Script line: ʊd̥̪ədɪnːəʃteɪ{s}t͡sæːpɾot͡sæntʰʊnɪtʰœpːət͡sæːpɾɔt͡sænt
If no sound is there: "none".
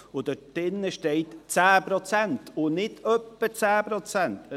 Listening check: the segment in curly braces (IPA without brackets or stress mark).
t